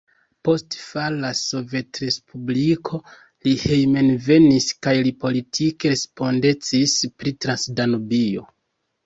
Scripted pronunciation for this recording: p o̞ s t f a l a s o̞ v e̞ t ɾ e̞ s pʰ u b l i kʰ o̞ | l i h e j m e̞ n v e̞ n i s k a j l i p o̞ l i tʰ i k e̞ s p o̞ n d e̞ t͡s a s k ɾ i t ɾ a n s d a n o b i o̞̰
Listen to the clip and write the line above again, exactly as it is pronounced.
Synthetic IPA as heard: p o̞ s t f a l a s o̞ v e̞ t ɾ e̞ s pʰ u b l i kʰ o̞ | l i h e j m e̞ n v e̞ n i s k a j l i p o̞ l i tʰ i k e̞ s p o̞ n d e̞ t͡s i s p ɾ i t ɾ a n s d a n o b i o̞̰

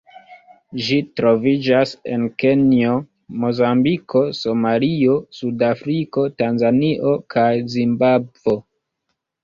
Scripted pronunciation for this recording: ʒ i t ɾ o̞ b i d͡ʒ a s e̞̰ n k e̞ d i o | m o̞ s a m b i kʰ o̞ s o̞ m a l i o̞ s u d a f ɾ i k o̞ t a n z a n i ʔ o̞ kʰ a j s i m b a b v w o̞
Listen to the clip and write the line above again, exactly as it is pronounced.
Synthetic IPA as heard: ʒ i t ɾ o̞ v i d͡ʒ a s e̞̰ n k e̞ n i o | m o̞ z a m b i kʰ o̞ s o̞ m a l i o̞ s u d a f ɾ i k o̞ t a n z a n i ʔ o̞ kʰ a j z i m b a b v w o̞

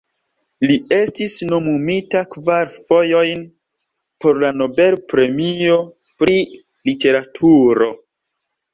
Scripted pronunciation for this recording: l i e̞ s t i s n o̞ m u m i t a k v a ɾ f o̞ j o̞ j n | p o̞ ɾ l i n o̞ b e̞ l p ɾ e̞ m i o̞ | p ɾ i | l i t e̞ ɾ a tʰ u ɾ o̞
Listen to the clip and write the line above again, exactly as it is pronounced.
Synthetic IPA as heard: l i e̞ s t i s n o̞ m u m i t a k v a ɾ f o̞ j o̞ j n | p o̞ ɾ l a n o̞ b e̞ l p ɾ e̞ m i o̞ | p ɾ i | l i t e̞ ɾ a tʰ u ɾ o̞

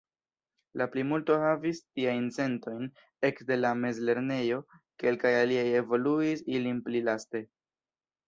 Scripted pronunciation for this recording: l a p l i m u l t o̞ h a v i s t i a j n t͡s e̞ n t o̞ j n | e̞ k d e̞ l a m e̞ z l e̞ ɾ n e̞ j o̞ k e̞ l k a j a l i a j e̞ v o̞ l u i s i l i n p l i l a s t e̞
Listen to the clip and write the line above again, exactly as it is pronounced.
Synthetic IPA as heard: l a p l i m u l t o̞ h a v i s t i a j n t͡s e̞ n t o̞ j n | e̞ k d e̞ l a m e̞ z l e̞ ɾ n e̞ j o̞ k e̞ l k a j a l i a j e̞ v o̞ l u i s i l i n p l i l a s t e̞

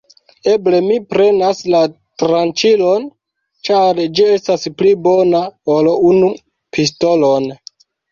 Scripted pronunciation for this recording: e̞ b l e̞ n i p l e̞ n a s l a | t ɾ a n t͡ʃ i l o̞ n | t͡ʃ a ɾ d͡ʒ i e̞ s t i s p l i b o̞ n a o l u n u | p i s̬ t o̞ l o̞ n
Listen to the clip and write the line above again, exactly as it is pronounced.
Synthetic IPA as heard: e̞ b l e̞ m i p ɾ e̞ n a s l a | t ɾ a n t͡ʃ i l o̞ n | t͡ʃ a ɾ d͡ʒ i e̞ s t a s p l i b o̞ n a o l u n u | p i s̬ t o̞ l o̞ n

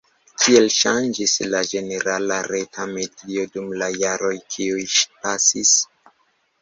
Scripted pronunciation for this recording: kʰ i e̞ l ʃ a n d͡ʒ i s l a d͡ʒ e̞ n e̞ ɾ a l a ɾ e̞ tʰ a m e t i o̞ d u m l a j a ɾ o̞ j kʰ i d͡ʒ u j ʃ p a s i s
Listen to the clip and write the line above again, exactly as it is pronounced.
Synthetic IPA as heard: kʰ i e̞ l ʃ a n d͡ʒ i s l a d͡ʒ e̞ n e̞ ɾ a l a ɾ e̞ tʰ a m e d i o̞ d u m l a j a ɾ o̞ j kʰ i u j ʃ p a s i s

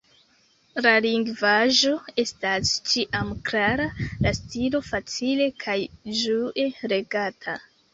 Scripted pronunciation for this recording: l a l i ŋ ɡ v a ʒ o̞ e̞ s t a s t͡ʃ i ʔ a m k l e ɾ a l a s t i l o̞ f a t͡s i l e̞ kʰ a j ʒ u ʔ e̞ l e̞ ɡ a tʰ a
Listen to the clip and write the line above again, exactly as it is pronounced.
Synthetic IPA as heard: l a l i ŋ ɡ v a ʒ o̞ e̞ s t a s t͡ʃ i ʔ a m k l a ɾ a l a s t i l o̞ f a t͡s i l e̞ kʰ a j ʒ u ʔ e̞ ɾ e̞ ɡ a tʰ a

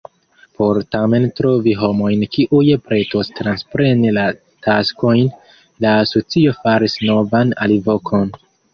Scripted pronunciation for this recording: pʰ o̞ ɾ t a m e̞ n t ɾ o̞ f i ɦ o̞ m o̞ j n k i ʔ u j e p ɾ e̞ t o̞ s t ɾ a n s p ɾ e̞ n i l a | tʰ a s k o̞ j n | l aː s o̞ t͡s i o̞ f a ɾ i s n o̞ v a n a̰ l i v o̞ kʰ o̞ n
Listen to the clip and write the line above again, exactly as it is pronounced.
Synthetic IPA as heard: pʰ o̞ ɾ t a m e̞ n t ɾ o̞ v i ɦ o̞ m o̞ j n k i ʔ u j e p ɾ e̞ t o̞ s t ɾ a n s p ɾ e̞ n i l a | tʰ a s k o̞ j n | l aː s o̞ t͡s i o̞ f a ɾ i s n o̞ v a n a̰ l i v o̞ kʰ o̞ n

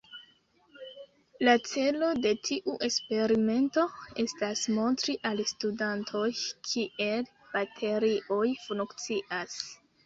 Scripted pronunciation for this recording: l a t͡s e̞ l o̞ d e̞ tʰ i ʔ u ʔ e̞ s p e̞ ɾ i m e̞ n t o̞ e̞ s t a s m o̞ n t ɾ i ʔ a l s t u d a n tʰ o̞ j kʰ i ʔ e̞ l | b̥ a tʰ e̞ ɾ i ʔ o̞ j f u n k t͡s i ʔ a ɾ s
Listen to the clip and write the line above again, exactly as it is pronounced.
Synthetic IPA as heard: l a t͡s e̞ l o̞ d e̞ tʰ i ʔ u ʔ e̞ s p e̞ ɾ i m e̞ n t o̞ e̞ s t a s m o̞ n t ɾ i ʔ a l s t u d a n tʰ o̞ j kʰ i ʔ e̞ l | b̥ a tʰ e̞ ɾ i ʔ o̞ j f u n k t͡s i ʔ a s

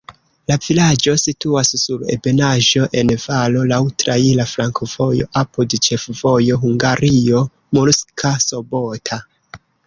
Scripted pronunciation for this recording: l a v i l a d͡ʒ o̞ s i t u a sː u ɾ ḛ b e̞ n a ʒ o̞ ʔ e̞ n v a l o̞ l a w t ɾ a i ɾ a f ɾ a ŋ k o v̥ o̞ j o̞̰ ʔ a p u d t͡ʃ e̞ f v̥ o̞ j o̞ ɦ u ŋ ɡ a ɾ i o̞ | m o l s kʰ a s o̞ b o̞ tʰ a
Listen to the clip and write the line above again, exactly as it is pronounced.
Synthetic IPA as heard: l a v i l a d͡ʒ o̞ s i t u a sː u ɾ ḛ b e̞ n a ʒ o̞ ʔ e̞ n v a l o̞ l a w t ɾ a i l a f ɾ a ŋ k o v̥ o̞ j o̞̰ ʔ a p u d t͡ʃ e̞ f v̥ o̞ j o̞ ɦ u ŋ ɡ a ɾ i o̞ | m o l s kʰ a s o̞ b o̞ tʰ a

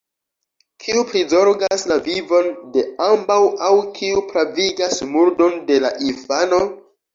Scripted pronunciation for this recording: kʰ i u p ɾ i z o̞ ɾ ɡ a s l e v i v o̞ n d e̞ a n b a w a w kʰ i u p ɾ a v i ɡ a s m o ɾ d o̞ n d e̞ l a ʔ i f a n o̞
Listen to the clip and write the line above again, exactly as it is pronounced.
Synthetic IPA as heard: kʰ i u p ɾ i z o̞ ɾ ɡ a s l a v i v o̞ n d e̞ a m b a w a w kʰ i u p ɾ a v i ɡ a s m u ɾ d o̞ n d e̞ l a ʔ i f a n o̞

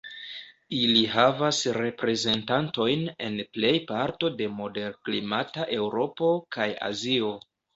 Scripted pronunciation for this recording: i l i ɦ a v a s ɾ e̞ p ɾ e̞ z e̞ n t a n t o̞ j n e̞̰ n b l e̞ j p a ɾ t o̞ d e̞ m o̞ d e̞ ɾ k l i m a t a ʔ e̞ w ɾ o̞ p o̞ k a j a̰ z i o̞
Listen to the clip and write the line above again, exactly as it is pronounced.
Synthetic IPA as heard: i l i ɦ a v a s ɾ e̞ p ɾ e̞ z e̞ n t a n t o̞ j n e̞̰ n p l e̞ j p a ɾ t o̞ d e̞ m o̞ d e̞ ɾ k l i m a t a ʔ e̞ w ɾ o̞ p o̞ k a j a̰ z i o̞

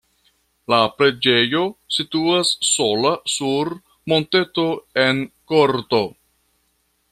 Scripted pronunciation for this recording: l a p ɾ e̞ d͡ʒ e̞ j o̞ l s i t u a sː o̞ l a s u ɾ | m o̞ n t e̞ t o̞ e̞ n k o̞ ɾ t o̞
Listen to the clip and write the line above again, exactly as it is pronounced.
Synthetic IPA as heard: l a p ɾ e̞ d͡ʒ e̞ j o̞ s i t u a sː o̞ l a s u ɾ | m o̞ n t e̞ t o̞ e̞ n k o̞ ɾ t o̞

